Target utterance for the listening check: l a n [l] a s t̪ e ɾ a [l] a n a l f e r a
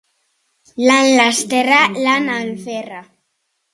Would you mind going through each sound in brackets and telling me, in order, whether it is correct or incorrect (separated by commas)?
correct, correct